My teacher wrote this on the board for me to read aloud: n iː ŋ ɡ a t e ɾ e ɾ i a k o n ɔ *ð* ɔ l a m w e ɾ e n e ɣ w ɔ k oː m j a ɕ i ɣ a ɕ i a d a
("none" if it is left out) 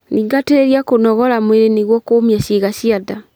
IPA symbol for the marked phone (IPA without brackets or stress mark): ɣ